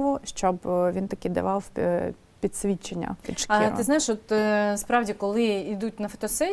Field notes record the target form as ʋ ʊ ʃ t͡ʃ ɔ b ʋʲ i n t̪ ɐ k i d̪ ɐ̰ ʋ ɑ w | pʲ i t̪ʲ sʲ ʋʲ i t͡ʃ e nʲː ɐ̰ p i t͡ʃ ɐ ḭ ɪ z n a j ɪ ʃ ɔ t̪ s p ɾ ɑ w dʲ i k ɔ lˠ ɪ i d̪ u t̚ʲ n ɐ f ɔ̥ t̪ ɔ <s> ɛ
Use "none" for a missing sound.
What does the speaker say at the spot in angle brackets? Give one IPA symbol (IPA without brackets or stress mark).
s